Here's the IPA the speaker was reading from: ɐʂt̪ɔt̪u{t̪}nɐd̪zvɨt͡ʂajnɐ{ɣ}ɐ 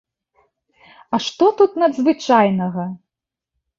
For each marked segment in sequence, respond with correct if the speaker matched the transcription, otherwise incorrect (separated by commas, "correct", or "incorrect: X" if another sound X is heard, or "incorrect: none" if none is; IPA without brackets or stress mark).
correct, correct